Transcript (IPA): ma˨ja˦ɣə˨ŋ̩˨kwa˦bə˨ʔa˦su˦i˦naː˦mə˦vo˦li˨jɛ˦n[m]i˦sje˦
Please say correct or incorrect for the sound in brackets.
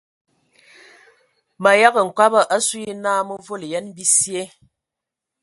incorrect